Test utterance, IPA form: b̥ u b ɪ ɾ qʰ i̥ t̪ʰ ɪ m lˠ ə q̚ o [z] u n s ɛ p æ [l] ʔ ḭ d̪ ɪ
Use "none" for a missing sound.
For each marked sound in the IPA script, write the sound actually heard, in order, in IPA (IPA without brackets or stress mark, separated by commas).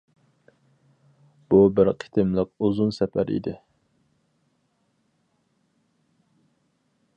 z, ɾ